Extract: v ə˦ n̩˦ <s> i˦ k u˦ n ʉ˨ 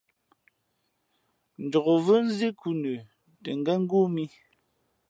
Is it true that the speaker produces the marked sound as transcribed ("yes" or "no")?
no